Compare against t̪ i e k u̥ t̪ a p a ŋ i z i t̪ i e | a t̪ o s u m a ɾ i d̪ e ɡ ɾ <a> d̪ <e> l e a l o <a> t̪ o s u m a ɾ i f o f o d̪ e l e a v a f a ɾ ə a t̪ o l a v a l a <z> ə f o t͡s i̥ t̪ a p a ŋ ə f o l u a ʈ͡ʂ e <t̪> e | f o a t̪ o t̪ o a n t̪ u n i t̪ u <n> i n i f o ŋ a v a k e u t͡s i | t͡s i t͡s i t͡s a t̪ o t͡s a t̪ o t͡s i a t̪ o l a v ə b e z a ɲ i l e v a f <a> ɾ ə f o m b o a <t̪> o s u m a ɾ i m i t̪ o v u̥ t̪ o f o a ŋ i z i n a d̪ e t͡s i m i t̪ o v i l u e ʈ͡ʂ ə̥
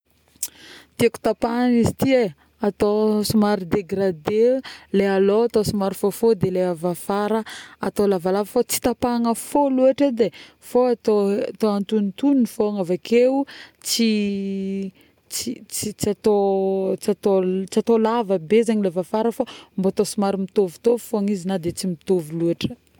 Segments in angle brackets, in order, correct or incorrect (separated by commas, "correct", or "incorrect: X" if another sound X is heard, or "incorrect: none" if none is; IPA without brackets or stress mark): correct, correct, correct, incorrect: v, incorrect: d̪, correct, correct, correct